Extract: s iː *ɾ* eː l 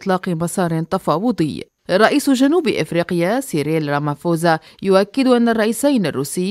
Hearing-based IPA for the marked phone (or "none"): ɾ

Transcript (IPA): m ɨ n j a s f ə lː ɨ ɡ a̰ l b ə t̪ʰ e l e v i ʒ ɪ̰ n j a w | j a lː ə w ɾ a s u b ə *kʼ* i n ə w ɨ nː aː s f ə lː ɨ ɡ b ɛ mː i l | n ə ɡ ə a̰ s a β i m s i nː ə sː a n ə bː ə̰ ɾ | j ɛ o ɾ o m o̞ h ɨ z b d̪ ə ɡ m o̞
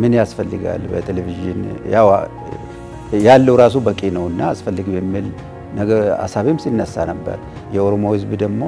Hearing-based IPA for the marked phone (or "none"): kʼ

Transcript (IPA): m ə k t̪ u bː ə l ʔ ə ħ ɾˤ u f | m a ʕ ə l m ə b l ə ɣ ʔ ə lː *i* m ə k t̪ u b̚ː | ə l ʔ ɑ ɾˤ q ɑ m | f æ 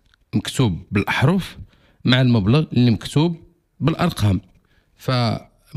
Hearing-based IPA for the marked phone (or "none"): i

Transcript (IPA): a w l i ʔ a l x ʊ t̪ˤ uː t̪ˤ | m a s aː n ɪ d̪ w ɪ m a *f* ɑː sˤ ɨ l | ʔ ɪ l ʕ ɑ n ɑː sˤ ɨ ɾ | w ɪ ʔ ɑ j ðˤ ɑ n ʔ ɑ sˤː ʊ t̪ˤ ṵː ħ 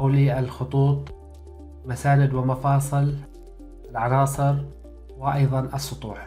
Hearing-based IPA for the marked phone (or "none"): f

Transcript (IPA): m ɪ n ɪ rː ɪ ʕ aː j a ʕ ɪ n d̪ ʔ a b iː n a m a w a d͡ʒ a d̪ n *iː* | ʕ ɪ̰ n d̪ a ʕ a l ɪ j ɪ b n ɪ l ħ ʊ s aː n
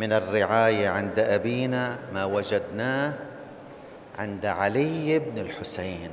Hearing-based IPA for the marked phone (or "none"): aː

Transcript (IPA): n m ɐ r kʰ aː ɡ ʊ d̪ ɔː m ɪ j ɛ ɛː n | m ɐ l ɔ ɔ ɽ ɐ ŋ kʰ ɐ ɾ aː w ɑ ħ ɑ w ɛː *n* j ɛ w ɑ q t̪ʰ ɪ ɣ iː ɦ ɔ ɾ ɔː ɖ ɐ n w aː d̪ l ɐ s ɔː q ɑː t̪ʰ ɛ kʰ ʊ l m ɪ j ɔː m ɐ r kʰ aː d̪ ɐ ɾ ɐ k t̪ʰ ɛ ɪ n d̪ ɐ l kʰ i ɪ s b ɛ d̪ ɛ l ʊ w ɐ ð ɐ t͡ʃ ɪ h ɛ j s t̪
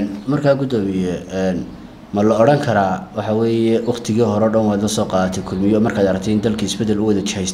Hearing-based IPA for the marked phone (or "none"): none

